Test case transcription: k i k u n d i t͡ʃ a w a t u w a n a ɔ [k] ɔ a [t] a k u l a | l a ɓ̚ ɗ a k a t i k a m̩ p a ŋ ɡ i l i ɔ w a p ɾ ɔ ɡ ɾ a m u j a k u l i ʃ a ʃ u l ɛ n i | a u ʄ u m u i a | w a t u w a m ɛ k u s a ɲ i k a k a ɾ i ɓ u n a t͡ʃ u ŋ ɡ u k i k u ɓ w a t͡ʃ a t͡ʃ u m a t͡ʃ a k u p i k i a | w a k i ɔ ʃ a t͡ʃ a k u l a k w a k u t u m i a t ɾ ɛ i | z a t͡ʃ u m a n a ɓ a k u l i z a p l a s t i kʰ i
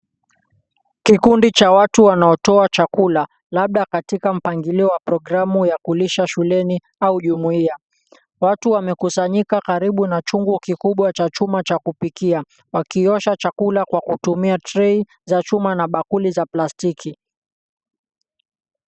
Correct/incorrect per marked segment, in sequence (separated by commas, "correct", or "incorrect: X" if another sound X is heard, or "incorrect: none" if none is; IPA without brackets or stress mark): incorrect: t, incorrect: t͡ʃ